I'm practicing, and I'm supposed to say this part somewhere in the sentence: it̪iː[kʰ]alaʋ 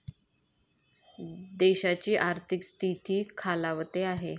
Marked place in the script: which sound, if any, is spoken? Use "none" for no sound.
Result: kʰ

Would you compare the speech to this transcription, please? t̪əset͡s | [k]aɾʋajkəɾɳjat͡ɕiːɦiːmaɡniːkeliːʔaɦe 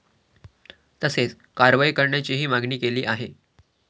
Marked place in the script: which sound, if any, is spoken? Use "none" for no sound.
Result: k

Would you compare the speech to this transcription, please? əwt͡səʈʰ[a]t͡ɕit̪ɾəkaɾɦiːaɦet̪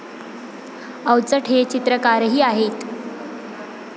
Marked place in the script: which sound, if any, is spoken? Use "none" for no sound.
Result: e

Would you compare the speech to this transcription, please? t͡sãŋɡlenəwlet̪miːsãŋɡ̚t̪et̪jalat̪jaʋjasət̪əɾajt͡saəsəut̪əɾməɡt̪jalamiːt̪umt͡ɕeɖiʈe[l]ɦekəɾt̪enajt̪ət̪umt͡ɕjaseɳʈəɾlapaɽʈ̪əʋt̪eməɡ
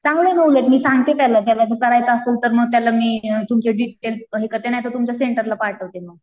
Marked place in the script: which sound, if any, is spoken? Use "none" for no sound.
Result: l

